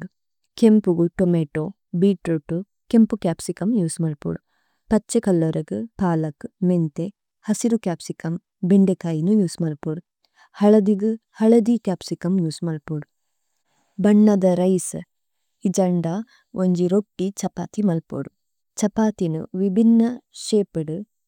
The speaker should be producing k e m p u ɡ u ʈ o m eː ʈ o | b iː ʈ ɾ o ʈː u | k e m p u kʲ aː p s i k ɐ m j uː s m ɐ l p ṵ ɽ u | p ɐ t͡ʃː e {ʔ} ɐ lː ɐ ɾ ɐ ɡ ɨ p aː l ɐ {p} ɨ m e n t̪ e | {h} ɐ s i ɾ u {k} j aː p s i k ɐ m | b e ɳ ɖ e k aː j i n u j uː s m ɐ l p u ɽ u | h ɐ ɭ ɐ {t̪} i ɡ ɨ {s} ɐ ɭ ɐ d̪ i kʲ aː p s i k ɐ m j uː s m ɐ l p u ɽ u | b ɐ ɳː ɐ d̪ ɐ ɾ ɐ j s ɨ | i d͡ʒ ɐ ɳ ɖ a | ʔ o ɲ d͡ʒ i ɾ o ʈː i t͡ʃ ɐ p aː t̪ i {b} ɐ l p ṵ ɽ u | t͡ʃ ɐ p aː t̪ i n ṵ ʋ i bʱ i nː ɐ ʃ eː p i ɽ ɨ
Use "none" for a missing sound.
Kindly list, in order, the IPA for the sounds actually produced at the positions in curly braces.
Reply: k, k, h, k, d̪, h, m

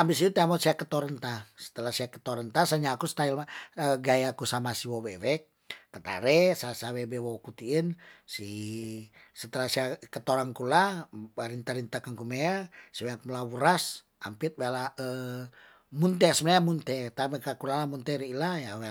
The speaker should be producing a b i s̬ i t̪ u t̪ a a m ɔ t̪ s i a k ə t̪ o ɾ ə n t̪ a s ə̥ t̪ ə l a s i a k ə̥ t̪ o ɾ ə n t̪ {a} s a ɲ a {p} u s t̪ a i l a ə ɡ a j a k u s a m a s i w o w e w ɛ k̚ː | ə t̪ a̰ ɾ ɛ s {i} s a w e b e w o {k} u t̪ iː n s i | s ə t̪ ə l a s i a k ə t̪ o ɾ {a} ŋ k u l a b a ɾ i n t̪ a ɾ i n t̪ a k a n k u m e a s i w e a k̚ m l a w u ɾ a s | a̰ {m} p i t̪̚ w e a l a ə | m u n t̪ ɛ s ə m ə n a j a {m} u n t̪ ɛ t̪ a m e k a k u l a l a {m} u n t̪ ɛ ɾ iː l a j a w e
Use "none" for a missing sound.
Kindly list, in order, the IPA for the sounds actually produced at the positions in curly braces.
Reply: a, k, a, k, a, m, m, m

